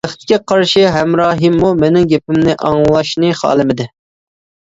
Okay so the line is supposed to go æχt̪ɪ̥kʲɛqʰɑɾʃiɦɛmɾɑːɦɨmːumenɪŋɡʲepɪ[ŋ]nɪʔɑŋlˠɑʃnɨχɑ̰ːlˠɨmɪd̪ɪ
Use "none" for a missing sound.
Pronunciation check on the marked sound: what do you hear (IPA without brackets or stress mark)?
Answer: m